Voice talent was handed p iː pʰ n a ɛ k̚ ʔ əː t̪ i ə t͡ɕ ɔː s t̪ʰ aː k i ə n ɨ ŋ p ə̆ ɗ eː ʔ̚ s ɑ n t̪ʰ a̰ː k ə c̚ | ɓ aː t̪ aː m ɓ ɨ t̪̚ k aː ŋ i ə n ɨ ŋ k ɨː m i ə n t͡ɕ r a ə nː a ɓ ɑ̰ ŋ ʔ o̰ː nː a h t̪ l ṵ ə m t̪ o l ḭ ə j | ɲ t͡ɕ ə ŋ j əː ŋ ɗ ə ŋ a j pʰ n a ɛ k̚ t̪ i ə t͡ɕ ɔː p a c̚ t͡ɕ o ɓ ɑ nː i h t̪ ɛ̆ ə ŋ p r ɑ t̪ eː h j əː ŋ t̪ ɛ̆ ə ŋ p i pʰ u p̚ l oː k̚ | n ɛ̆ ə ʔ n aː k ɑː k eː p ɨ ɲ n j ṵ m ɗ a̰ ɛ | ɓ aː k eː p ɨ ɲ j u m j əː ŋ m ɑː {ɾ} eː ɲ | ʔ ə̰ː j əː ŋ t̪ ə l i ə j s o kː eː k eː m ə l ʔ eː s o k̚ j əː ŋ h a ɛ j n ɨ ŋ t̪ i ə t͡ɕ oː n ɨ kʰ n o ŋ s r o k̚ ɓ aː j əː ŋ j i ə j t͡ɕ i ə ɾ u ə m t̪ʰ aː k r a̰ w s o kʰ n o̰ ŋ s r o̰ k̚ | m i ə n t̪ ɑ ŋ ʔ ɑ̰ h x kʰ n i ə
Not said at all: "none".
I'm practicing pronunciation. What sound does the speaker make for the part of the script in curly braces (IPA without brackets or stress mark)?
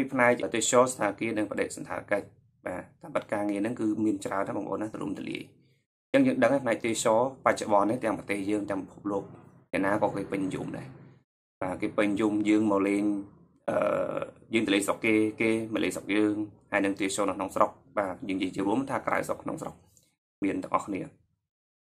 l